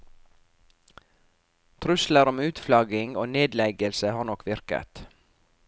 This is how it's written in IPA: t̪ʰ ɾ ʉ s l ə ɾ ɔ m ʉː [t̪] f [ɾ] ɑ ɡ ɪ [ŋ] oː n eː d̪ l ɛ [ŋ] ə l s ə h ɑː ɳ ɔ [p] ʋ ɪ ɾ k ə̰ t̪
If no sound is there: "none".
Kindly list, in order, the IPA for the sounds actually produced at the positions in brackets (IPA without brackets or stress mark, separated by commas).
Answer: t̪, l, ŋ, ɡ, k